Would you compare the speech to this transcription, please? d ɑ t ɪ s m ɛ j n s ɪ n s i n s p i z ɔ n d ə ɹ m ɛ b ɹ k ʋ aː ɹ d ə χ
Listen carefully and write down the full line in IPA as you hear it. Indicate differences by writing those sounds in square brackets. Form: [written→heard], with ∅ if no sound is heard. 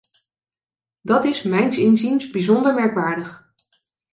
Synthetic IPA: d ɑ t ɪ s m ɛ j n s ɪ n [s→z] i n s [p→b] i z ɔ n d ə ɹ m ɛ [b→∅] ɹ k ʋ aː ɹ d ə χ